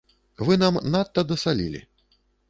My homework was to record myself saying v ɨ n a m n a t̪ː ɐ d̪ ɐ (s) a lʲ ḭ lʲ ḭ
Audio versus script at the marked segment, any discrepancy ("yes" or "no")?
no